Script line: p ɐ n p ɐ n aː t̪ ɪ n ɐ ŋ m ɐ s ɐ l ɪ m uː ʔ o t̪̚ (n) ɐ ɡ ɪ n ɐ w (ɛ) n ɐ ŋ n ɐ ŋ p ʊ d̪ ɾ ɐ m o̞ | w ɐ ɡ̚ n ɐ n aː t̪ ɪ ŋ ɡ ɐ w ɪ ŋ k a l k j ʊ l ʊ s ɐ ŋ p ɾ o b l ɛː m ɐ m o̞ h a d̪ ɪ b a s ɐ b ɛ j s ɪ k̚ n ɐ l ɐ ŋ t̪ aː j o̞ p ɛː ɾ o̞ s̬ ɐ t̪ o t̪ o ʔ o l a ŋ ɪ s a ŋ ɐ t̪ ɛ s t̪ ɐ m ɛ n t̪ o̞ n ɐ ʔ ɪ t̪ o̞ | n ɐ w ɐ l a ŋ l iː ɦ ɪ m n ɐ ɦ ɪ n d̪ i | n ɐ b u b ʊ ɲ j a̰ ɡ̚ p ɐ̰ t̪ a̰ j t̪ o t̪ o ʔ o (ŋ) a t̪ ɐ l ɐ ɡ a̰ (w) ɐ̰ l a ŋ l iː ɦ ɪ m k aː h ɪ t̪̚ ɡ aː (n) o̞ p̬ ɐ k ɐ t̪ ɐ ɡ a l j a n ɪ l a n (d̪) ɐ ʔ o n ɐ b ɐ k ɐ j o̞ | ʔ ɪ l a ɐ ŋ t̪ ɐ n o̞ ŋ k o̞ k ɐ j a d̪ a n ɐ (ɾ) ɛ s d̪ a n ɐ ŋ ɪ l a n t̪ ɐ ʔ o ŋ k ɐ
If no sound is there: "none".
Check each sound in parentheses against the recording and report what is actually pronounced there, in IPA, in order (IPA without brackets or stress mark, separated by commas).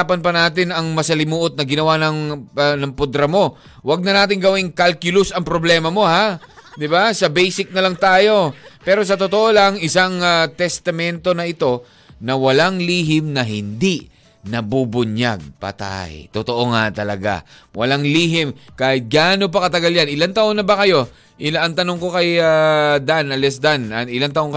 n, a, ŋ, w, n, t̪, l